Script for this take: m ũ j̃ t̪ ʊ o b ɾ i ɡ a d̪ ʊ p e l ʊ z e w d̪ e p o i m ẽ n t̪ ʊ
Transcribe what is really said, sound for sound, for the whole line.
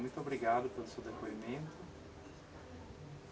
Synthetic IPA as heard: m ũ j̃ t̪ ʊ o b ɾ i ɡ a d̪ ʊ p e l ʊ s e w d̪ e p o i m ẽ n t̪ ʊ

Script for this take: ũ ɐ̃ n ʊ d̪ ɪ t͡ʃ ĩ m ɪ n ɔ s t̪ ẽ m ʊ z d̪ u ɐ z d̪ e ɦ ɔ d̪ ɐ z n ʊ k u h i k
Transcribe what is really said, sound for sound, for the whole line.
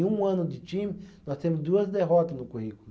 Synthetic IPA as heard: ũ ɐ̃ n ʊ d̪ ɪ t͡ʃ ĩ m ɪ n ɔ s t̪ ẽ m ʊ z d̪ u ɐ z d̪ e ɦ ɔ t̪ ɐ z n ʊ k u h i k

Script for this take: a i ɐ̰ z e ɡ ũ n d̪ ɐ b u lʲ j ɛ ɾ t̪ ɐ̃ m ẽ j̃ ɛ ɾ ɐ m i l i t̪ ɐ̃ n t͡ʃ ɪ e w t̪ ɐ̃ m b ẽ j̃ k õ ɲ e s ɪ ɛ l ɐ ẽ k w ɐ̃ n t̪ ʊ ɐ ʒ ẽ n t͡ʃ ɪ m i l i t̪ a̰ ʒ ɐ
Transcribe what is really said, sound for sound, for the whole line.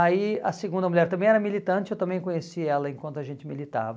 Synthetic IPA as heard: a i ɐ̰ s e ɡ ũ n d̪ ɐ m u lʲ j ɛ ɾ t̪ ɐ̃ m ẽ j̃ ɛ ɾ ɐ m i l i t̪ ɐ̃ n t͡ʃ ɪ e w t̪ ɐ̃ m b ẽ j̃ k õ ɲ e s i ɛ l ɐ ẽ k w ɐ̃ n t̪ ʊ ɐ ʒ ẽ n t͡ʃ ɪ m i l i t̪ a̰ v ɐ

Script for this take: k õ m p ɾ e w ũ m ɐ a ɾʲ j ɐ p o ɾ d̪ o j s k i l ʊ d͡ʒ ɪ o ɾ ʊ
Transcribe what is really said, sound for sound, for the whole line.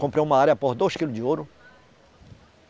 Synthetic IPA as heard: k õ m p ɾ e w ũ m ɐ a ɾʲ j ɐ p o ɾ d̪ o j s k i l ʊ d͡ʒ ɪ o ɾ ʊ

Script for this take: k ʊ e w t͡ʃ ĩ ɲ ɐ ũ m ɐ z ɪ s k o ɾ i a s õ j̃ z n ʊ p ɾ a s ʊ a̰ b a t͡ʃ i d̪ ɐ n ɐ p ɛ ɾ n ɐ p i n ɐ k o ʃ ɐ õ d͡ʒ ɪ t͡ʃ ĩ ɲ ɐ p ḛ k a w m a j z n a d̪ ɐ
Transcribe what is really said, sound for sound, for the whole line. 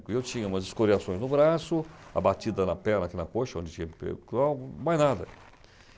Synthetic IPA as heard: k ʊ e w t͡ʃ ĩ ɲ ɐ ũ m ɐ z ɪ s k o ɾ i a s õ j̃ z n ʊ b ɾ a s ʊ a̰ b a t͡ʃ i d̪ ɐ n ɐ p ɛ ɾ n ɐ k i n ɐ k o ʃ ɐ õ d͡ʒ ɪ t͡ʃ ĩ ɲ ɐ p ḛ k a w m a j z n a d̪ ɐ

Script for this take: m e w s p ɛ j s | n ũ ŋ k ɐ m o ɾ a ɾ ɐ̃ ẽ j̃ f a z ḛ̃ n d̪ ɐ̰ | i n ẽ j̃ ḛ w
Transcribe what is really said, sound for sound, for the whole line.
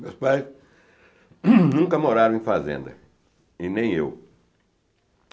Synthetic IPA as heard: m e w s p a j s | n ũ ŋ k ɐ m o ɾ a ɾ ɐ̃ ẽ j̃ f a z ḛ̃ n d̪ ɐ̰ | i n ẽ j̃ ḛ w

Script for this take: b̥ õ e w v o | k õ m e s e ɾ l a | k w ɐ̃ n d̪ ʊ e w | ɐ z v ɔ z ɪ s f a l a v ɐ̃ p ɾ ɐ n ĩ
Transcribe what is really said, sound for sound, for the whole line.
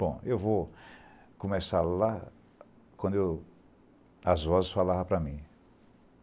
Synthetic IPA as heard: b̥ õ e w v o | k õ m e s a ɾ l a | k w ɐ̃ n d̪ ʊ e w | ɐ z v ɔ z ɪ s f a l a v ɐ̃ p ɾ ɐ m ĩ

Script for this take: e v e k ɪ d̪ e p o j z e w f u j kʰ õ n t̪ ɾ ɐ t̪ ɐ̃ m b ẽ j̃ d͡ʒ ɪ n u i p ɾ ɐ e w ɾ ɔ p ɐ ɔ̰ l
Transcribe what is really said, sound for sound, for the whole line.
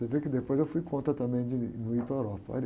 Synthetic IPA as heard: e v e k ɪ d̪ e p o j z e w f u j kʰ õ n t̪ ɾ ɐ t̪ ɐ̃ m b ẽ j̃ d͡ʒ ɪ n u i p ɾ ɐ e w ɾ ɔ p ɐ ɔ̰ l

